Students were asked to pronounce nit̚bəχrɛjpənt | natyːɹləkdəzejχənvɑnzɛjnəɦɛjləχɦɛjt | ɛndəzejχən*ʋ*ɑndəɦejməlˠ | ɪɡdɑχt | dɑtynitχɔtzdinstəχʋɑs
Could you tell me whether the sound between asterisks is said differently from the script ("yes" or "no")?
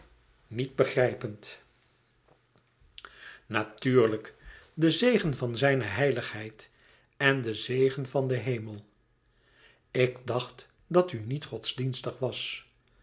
yes